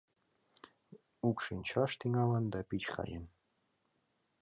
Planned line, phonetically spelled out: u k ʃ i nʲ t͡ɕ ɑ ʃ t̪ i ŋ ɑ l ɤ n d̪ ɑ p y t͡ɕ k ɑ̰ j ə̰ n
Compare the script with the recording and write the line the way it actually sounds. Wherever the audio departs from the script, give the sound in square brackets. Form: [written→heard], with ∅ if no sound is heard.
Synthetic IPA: u k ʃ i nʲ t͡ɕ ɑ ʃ t̪ i ŋ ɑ l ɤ n d̪ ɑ p [y→i] t͡ɕ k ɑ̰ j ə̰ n